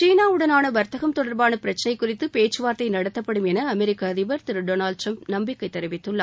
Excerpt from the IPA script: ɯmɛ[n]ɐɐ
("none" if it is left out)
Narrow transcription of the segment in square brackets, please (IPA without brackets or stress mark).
n